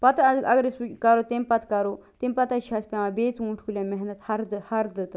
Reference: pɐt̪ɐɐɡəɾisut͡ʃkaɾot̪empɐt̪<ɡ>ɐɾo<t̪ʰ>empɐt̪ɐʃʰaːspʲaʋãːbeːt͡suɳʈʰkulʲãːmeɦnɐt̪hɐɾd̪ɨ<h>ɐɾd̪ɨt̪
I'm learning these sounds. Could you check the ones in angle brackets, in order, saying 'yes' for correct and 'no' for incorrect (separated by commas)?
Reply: no, no, yes